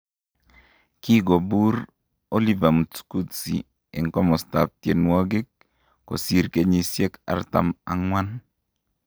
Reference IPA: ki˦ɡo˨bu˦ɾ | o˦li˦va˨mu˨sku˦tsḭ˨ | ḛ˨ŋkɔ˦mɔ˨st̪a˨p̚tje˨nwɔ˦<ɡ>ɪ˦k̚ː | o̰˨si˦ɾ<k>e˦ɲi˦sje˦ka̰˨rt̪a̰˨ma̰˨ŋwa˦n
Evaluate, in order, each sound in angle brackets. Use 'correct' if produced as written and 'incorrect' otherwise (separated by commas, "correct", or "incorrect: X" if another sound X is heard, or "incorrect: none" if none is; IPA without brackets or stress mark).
correct, correct